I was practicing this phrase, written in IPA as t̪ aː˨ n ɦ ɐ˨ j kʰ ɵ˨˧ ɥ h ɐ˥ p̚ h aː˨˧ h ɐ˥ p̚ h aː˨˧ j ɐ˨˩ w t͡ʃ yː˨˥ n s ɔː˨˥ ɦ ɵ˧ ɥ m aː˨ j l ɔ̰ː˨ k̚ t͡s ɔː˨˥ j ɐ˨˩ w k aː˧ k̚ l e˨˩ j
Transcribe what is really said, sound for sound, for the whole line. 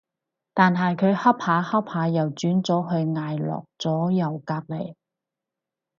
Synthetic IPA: t̪ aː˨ n ɦ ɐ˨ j kʰ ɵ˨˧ ɥ h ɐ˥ p̚ h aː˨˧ h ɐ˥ p̚ h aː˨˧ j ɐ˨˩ w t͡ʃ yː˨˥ n t͡s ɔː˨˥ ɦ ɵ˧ ɥ ŋ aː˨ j l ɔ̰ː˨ k̚ t͡s ɔː˨˥ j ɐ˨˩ w k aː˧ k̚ l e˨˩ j